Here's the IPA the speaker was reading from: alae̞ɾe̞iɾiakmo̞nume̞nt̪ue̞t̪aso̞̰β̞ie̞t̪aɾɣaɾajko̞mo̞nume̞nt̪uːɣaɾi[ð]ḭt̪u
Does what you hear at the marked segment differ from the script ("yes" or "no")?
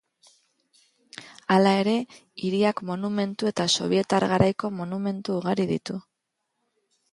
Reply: no